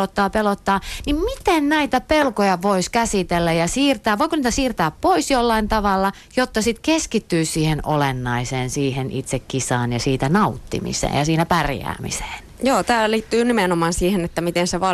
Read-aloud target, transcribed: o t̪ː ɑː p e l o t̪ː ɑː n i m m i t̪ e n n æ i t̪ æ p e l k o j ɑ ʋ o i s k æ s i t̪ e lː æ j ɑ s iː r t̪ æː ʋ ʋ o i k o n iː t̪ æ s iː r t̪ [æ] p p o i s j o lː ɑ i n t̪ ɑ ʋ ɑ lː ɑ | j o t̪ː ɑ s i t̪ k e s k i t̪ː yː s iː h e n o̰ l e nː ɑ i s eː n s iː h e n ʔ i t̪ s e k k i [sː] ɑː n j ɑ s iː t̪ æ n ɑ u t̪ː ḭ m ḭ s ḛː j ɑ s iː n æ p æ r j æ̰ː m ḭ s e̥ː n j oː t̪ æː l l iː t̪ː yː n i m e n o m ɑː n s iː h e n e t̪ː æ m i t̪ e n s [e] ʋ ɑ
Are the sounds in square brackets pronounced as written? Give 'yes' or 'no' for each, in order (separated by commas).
no, no, yes